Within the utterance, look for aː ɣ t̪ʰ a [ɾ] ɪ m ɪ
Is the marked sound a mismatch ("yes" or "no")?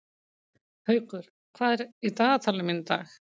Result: yes